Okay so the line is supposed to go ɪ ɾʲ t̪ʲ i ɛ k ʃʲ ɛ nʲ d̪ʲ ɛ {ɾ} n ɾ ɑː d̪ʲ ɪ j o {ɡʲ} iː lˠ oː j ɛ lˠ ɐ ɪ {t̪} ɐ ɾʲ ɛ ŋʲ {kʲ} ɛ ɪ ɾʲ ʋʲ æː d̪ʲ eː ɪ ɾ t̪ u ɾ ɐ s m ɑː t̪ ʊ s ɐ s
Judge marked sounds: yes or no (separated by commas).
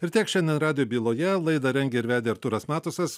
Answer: no, no, no, no